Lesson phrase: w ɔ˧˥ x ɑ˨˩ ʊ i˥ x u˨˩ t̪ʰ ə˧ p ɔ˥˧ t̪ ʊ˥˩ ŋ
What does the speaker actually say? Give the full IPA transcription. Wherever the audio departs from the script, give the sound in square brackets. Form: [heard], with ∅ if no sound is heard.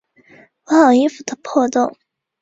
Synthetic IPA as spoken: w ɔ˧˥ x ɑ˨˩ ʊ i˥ [f] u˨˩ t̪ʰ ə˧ [pʰ] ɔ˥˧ t̪ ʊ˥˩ ŋ